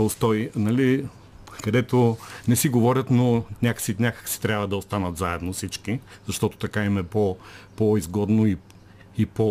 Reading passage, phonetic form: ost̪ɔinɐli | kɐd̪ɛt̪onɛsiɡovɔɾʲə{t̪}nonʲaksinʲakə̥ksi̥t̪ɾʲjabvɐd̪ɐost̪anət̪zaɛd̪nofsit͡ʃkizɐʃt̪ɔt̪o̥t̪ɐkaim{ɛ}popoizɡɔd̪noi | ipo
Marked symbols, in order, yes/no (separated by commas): yes, yes